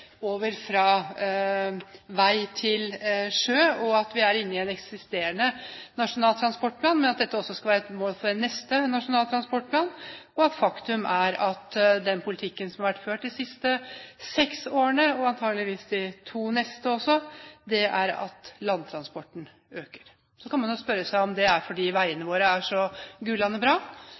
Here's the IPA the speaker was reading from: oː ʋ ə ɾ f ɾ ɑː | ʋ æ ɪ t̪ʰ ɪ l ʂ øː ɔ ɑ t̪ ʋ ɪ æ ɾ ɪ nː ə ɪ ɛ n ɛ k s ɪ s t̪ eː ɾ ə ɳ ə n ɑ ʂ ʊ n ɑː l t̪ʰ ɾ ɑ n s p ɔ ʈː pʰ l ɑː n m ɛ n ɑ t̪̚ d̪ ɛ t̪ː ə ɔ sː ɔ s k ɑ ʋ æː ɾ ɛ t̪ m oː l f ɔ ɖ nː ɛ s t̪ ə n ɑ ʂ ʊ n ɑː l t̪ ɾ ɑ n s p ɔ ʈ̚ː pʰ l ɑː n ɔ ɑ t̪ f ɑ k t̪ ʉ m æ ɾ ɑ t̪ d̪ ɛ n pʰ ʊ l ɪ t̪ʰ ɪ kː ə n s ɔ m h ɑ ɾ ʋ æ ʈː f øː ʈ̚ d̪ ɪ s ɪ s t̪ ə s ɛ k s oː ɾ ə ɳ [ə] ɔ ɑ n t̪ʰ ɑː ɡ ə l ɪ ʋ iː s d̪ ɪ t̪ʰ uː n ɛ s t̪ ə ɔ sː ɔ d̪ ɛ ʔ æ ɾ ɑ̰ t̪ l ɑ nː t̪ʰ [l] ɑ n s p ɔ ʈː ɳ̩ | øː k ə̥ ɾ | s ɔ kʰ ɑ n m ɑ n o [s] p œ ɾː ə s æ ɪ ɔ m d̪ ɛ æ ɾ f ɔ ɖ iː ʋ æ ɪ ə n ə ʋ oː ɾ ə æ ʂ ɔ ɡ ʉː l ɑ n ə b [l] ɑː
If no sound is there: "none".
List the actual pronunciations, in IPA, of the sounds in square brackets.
ə, ɾ, s, ɾ

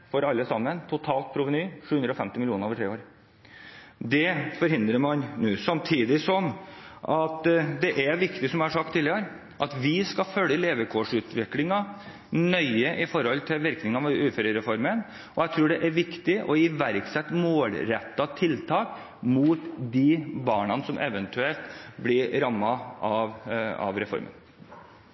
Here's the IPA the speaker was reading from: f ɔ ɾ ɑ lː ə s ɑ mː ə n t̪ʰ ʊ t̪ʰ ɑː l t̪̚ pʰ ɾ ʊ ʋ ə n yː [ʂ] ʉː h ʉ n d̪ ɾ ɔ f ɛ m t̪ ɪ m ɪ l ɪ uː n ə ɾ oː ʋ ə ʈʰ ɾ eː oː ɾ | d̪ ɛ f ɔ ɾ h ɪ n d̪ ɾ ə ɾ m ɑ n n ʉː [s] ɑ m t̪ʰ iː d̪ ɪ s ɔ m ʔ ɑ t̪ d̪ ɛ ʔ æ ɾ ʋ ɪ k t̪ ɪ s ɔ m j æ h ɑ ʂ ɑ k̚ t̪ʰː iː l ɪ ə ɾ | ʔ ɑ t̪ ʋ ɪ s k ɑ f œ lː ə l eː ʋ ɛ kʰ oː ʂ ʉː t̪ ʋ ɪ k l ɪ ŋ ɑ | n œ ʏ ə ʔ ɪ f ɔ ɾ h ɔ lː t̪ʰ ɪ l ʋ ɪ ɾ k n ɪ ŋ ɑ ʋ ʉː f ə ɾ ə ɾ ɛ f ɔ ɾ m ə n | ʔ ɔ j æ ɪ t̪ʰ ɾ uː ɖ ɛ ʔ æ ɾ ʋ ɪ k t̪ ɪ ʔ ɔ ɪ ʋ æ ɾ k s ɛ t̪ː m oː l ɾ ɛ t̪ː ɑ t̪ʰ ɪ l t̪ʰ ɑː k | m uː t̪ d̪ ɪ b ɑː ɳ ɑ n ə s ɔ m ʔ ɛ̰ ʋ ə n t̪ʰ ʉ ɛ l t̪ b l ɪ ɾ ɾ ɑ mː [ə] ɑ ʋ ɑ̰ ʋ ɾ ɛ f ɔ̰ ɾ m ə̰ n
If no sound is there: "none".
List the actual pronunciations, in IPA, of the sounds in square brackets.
ʂ, s, ɑ

